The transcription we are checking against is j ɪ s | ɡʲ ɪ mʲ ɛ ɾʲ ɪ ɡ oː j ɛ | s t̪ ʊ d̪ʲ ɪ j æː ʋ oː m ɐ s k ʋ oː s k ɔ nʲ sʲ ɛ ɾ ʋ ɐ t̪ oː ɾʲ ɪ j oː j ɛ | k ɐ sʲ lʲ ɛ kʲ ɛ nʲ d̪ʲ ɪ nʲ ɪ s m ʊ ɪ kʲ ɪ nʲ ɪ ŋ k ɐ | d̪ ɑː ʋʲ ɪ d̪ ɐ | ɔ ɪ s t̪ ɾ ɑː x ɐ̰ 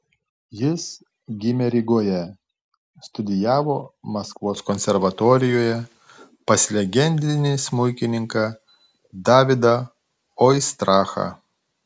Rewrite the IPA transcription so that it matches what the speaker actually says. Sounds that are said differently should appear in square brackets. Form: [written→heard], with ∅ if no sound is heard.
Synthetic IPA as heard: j ɪ s | ɡʲ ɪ mʲ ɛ ɾʲ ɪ ɡ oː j ɛ | s t̪ ʊ d̪ʲ ɪ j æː ʋ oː m ɐ s k ʋ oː s k ɔ nʲ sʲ ɛ ɾ ʋ ɐ t̪ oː ɾʲ ɪ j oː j ɛ | [k→p] ɐ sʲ lʲ ɛ [kʲ→ɡʲ] ɛ nʲ d̪ʲ ɪ nʲ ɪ s m ʊ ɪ kʲ ɪ nʲ ɪ ŋ k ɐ | d̪ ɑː ʋʲ ɪ d̪ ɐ | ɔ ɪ s t̪ ɾ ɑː x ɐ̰

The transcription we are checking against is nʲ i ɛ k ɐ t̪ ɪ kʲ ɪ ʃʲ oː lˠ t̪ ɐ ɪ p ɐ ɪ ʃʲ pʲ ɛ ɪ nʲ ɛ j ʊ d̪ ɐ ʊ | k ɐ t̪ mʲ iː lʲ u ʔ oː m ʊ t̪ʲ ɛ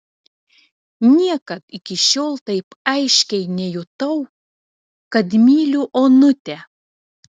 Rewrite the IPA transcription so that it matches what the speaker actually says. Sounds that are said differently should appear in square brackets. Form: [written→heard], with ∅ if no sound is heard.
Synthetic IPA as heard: nʲ i ɛ k ɐ t̪ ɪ kʲ ɪ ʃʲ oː lˠ t̪ ɐ ɪ p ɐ ɪ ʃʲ [pʲ→kʲ] ɛ ɪ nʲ ɛ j ʊ [d̪→t̪] ɐ ʊ | k ɐ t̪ mʲ iː lʲ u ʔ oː [m→n] ʊ t̪ʲ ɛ

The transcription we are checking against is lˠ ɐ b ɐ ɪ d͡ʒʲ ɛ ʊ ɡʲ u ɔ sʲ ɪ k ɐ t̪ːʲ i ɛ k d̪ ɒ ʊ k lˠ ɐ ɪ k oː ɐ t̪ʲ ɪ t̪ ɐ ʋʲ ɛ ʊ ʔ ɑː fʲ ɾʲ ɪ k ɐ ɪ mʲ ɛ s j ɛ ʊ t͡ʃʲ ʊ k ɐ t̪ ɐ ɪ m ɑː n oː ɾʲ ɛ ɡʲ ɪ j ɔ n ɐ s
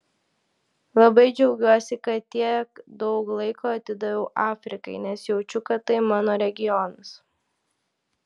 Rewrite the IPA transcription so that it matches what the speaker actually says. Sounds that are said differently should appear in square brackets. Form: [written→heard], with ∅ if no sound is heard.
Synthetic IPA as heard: lˠ ɐ b ɐ ɪ d͡ʒʲ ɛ ʊ ɡʲ u ɔ sʲ ɪ k ɐ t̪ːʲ i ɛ k d̪ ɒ ʊ k lˠ ɐ ɪ k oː ɐ t̪ʲ ɪ [t̪→d̪] ɐ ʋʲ ɛ ʊ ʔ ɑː fʲ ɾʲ ɪ k ɐ ɪ [mʲ→nʲ] ɛ s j ɛ ʊ t͡ʃʲ ʊ k ɐ t̪ ɐ ɪ m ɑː n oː ɾʲ ɛ ɡʲ ɪ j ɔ n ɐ s

